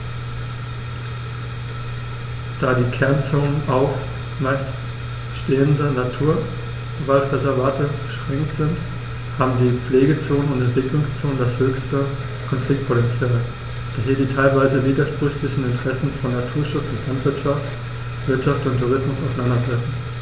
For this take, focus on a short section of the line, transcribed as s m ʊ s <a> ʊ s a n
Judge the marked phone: correct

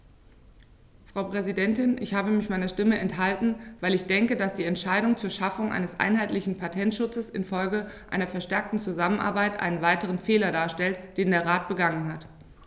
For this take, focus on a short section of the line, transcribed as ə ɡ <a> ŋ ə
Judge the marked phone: correct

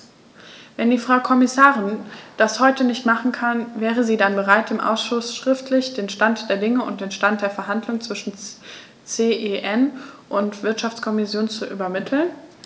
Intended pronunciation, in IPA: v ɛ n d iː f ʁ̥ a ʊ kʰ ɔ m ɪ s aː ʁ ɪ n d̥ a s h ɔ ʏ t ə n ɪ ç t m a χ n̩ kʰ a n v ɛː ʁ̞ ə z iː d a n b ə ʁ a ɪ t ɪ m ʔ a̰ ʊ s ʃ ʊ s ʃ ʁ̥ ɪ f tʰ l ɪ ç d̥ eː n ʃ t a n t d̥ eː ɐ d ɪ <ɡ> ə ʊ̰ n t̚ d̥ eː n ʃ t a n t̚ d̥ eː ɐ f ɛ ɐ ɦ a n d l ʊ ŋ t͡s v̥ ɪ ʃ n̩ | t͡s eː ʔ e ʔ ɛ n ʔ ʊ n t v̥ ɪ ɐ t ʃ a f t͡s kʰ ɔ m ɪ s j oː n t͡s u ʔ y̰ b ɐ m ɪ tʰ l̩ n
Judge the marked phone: incorrect: ŋ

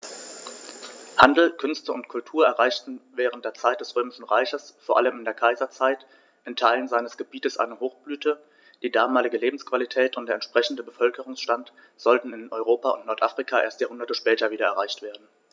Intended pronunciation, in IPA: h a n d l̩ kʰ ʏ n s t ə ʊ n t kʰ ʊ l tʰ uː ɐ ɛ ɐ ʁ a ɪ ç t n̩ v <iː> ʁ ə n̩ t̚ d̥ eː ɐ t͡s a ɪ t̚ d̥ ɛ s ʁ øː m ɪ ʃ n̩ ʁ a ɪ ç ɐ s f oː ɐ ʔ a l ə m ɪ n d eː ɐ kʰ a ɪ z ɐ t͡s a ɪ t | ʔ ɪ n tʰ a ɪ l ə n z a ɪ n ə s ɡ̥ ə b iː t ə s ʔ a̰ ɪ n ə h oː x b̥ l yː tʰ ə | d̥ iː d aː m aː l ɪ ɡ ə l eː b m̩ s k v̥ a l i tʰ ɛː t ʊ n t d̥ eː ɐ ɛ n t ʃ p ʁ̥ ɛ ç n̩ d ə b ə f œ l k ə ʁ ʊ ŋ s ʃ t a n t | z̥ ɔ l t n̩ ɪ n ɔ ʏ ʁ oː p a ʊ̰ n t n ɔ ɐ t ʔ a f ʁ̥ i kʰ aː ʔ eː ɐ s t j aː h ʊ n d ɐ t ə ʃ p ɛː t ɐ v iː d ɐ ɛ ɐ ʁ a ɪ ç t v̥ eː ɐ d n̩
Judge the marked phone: incorrect: ɛː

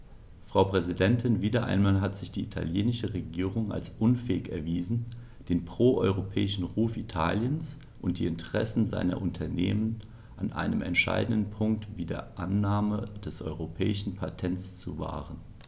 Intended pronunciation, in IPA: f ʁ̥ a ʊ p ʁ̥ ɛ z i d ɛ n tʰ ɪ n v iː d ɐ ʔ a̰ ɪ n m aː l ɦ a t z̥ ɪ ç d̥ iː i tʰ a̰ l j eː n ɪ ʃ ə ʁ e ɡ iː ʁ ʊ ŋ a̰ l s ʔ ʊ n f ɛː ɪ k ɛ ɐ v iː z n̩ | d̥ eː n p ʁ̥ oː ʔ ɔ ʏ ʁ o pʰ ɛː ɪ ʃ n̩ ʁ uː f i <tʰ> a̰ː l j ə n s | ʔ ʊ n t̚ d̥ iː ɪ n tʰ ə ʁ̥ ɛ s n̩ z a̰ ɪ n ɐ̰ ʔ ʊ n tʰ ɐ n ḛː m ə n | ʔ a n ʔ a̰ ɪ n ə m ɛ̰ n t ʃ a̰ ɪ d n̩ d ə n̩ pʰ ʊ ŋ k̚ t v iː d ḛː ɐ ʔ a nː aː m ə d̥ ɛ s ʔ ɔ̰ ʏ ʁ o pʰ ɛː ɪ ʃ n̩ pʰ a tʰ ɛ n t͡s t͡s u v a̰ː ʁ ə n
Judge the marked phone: correct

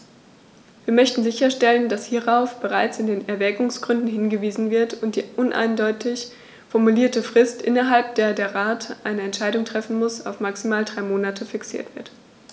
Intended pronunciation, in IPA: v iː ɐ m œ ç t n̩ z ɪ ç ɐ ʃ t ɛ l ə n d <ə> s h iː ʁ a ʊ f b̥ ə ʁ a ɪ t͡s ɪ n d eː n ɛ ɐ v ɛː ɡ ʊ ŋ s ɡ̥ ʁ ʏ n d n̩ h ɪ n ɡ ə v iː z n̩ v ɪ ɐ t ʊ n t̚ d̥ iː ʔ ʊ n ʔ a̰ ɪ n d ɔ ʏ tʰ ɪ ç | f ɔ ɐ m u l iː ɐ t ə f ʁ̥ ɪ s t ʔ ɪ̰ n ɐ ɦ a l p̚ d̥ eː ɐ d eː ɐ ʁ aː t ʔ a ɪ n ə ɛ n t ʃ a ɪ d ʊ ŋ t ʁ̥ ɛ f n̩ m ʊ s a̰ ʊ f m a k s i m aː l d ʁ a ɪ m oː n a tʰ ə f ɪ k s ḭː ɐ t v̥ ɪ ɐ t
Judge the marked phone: incorrect: a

